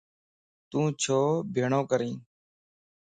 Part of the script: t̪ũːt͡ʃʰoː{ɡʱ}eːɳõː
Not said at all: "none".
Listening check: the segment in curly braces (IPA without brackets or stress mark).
bʱ